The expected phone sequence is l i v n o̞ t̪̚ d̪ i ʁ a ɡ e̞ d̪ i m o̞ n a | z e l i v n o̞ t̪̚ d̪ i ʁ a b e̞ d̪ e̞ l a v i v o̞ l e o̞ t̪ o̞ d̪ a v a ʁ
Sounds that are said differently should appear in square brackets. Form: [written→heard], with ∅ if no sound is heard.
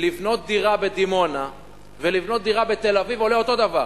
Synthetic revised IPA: l i v n o̞ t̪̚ d̪ i ʁ a [ɡ→b] e̞ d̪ i m o̞ n a | [z→v] e l i v n o̞ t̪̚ d̪ i ʁ a b e̞ [d̪→t̪] e̞ l a v i v o̞ l e o̞ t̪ o̞ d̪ a v a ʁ

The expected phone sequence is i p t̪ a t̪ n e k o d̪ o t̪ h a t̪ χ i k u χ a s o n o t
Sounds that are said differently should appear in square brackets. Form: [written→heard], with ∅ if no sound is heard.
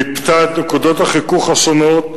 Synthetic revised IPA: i p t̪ a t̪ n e k [o→u] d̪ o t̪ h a [t̪→∅] χ i k u χ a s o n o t

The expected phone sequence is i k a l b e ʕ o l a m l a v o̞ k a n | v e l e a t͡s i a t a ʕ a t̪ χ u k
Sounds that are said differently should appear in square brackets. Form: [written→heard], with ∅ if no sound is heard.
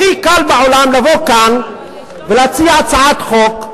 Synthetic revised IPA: i k a l b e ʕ o l a m l a v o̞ k a n | v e l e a t͡s i a [t→t͡s] a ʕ a t̪ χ [u→o] k

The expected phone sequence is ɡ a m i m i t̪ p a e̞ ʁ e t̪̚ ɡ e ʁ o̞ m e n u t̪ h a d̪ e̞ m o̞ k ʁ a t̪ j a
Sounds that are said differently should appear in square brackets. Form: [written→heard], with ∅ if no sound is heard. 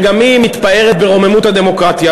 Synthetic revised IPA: ɡ a m i m i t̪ p a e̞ ʁ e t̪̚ [ɡ→b] e ʁ o̞ m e [n→m] u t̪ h a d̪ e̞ m o̞ k ʁ a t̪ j a

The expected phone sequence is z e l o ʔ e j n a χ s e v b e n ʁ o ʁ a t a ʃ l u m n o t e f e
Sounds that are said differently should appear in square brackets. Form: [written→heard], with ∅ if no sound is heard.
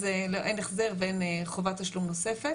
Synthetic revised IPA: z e l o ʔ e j n [a→e] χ [s→z] e [v→ʁ] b e n [ʁ→χ] o [ʁ→v] a t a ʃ l u m n o [t→s] e f e

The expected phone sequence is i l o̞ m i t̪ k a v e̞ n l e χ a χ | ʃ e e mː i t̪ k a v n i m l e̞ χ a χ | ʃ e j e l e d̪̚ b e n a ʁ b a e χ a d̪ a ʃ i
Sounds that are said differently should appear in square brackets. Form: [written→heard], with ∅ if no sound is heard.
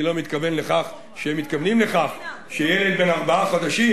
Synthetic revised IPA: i l o̞ m i t̪ k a v e̞ n l e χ a χ | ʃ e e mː i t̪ k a v n i m l e̞ χ a χ | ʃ e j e l e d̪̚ b e n a ʁ b a [e→a] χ a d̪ a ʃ i

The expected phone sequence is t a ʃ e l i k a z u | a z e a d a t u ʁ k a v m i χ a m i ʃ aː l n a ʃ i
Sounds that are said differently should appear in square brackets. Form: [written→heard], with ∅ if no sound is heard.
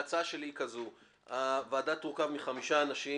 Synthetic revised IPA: [t→t͡s] a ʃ e l i k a z u | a [z→v] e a d a t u ʁ k a v m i χ a m i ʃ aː [l→∅] n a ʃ i

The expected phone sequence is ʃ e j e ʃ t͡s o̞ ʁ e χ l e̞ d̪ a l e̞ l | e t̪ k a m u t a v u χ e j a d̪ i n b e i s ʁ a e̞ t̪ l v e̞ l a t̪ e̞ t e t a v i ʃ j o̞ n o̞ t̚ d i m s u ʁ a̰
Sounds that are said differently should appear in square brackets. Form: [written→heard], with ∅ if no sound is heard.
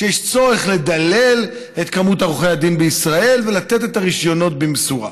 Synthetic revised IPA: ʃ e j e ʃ t͡s o̞ ʁ e χ l e̞ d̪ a l e̞ l | e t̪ k a m u t a [v→ʁ] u χ e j a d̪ i n b e i s ʁ a e̞ [t̪→∅] l v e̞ l a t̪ e̞ t e t a [v→ʁ] i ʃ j o̞ n o̞ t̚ [d→b] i m s u ʁ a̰

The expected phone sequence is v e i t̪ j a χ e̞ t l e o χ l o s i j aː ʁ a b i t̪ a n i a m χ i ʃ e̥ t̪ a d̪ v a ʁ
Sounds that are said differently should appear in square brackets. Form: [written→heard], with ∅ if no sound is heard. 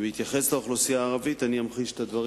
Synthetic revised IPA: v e i t̪ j a χ e̞ [t→s] l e o χ l o s i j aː ʁ a [b→v] i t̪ a n i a m χ i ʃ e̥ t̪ a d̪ v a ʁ

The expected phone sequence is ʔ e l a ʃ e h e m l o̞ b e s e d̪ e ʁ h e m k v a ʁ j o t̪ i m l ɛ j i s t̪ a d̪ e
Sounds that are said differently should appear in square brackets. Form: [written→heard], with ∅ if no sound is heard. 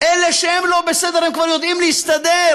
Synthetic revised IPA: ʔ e l [a→e] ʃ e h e m l o̞ b e s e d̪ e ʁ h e m k v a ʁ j o [t̪→d̪] i m l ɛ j i s t̪ a d̪ e

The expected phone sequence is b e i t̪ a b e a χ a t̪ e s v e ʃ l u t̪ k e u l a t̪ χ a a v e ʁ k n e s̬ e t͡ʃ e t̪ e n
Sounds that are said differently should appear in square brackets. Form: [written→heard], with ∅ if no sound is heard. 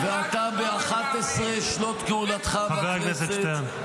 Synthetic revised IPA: [b→v] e [i→a] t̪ a b e a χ a t̪ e s [v→ʁ] e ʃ l [u→o] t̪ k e u l a t̪ χ a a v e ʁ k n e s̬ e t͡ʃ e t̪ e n

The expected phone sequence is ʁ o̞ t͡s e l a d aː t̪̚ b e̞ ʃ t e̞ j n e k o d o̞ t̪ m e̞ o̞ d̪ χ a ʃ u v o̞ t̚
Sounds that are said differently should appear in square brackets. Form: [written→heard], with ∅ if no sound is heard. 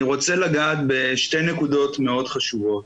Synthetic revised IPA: ʁ o̞ t͡s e l a [d→ɡ] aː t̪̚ b e̞ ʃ t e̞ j n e k [o→u] d o̞ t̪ m e̞ o̞ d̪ χ a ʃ u v o̞ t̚

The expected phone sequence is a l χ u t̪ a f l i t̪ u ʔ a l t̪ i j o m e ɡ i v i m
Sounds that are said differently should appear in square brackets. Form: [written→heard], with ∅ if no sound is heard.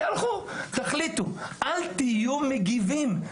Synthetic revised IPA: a l χ u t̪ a [f→χ] l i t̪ u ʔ a l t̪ i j [o→u] m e ɡ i v i m

